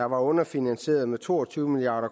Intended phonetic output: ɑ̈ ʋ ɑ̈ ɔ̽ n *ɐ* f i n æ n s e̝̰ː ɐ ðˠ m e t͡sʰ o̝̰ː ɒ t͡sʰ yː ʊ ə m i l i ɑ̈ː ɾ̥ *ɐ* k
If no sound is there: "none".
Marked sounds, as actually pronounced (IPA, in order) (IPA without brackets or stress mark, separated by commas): ɐ, ɐ